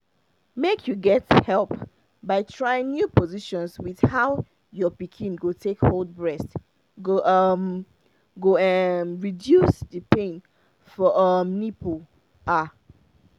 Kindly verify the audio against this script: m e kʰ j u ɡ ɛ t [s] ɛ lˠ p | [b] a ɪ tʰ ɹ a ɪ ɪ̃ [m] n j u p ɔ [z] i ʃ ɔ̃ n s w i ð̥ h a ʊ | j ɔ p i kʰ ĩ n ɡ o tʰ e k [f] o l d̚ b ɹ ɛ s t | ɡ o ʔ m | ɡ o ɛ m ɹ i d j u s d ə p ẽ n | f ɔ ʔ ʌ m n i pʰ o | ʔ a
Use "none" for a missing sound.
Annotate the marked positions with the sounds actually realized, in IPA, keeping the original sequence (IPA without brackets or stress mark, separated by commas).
h, b, ŋ, z, h